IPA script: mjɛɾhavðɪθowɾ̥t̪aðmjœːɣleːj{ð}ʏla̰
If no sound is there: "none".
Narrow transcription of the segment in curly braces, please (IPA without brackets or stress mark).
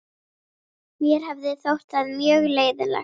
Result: ð